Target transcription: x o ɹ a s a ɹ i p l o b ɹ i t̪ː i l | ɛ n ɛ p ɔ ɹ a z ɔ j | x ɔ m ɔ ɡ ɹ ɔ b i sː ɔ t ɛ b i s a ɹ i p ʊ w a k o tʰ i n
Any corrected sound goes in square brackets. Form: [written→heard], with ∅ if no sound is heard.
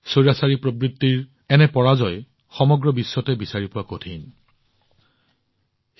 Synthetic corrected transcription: [x→s] o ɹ a s a ɹ i p [l→ɹ] o b ɹ i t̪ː i [l→ɹ] | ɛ n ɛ p ɔ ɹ a z ɔ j | x ɔ m ɔ ɡ ɹ ɔ b i sː ɔ t ɛ b i s a ɹ i p ʊ w a k o tʰ i n